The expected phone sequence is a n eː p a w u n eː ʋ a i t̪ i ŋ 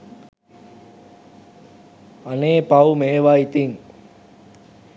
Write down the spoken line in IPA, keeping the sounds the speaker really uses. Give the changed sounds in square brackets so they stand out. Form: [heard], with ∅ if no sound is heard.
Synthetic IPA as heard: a n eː p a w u [m] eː ʋ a i t̪ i ŋ